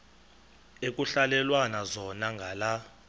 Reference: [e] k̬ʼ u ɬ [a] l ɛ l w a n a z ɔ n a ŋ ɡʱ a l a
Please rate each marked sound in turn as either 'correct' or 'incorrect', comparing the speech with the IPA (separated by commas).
correct, correct